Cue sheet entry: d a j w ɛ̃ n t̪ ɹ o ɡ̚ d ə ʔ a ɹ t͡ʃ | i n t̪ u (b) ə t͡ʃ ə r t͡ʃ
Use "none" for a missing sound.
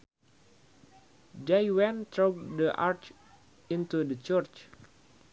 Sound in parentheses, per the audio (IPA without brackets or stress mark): d